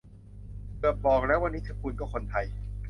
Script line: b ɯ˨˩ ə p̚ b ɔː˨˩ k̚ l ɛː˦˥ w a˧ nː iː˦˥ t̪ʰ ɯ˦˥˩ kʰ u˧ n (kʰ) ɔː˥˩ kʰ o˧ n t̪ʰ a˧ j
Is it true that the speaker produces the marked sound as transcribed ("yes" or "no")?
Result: no